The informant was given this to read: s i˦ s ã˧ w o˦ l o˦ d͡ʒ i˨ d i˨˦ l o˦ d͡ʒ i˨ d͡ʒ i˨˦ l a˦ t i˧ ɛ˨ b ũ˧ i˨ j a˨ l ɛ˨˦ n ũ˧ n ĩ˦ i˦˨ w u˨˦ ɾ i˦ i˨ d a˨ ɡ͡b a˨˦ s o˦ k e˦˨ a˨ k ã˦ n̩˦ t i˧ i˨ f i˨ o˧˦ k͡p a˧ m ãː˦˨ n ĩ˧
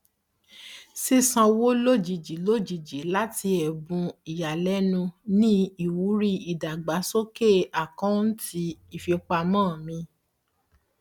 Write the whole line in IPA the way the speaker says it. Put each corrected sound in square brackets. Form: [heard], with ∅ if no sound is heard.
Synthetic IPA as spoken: s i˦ s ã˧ w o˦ l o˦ d͡ʒ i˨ [d͡ʒ] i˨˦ l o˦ d͡ʒ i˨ d͡ʒ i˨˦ l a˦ t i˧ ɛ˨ b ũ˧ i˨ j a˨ l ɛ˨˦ n ũ˧ n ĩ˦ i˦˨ w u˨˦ ɾ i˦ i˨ d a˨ ɡ͡b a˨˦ s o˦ k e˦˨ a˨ k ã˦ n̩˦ t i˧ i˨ f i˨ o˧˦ k͡p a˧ m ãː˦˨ [m] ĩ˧